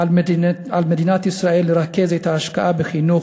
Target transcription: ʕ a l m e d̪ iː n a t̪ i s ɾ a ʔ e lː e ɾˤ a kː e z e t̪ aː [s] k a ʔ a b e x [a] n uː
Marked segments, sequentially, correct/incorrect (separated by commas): incorrect, incorrect